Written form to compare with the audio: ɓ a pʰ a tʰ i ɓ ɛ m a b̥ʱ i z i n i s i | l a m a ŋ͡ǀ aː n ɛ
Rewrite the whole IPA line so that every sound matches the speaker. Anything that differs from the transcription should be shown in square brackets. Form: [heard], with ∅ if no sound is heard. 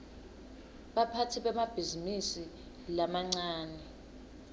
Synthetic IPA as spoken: ɓ a pʰ a tʰ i ɓ ɛ m a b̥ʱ i z i [m] i s i | l a m a ŋ͡ǀ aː n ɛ